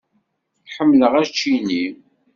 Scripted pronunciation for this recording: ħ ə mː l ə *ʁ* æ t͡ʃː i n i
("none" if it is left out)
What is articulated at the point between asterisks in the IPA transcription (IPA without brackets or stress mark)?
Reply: ʁ